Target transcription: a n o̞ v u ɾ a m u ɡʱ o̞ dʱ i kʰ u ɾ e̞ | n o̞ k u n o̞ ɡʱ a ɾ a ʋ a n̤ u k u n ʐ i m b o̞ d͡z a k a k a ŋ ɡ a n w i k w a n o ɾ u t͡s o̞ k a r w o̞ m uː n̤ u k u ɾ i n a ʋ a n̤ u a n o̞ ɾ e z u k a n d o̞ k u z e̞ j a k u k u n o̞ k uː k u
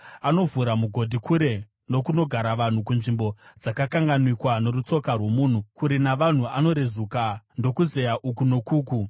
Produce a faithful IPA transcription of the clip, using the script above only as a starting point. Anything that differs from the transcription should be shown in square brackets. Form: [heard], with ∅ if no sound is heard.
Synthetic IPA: a n o̞ v u ɾ a m u ɡʱ o̞ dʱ i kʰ u ɾ e̞ | n o̞ k u n o̞ ɡʱ a ɾ a ʋ a n̤ u k u n ʐ i m b o̞ d͡z a k a k a ŋ ɡ a n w i k w a n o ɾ u t͡s o̞ k a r w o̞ m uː n̤ u k u ɾ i n a ʋ a n̤ u a n o̞ ɾ e z u k a n d o̞ k u z e̞ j a [ʔ] u k u n o̞ k uː k u